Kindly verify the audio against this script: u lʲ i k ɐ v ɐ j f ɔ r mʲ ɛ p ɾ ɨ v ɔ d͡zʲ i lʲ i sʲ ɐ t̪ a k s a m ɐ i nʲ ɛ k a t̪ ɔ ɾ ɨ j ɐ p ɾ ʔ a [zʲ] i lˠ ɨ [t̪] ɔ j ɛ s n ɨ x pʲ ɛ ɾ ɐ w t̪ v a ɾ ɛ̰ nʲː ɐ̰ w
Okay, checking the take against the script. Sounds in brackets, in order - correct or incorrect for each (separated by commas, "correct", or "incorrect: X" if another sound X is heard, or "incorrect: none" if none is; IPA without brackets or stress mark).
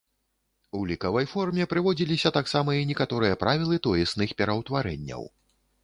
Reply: incorrect: vʲ, correct